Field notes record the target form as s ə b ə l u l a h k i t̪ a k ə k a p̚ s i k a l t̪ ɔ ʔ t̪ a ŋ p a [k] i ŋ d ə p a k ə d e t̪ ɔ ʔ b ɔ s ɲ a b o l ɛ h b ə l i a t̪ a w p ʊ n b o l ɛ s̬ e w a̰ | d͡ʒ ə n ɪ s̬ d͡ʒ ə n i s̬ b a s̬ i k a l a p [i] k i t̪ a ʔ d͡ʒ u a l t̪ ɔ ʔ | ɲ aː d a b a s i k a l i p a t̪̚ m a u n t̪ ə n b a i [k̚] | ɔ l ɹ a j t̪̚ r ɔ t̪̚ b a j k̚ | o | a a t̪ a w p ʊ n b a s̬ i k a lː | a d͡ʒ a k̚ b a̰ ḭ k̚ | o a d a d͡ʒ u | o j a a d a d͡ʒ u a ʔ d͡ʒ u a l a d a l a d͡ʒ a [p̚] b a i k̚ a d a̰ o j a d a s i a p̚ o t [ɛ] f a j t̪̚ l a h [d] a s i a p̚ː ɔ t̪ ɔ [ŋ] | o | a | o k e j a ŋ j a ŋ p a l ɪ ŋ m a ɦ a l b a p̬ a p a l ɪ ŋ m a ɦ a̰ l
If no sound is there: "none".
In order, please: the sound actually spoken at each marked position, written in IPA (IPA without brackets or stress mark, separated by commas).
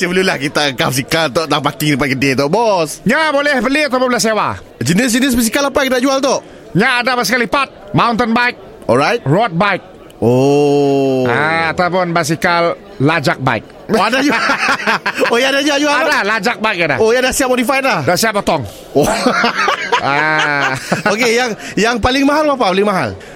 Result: k, a, k̚, k̚, i, d, ŋ